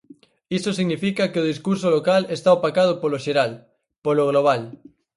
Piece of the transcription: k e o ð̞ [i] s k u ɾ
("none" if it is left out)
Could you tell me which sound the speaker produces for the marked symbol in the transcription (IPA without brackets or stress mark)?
i